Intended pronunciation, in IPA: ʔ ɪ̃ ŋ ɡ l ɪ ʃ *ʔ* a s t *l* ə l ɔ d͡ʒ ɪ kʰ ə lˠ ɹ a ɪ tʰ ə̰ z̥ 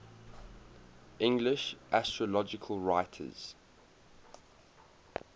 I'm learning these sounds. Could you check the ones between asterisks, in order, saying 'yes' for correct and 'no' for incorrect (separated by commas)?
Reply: yes, no